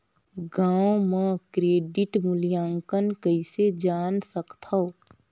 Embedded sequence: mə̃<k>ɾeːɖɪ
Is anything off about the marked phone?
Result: no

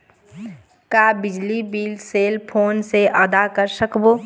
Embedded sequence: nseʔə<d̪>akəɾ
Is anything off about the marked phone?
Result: no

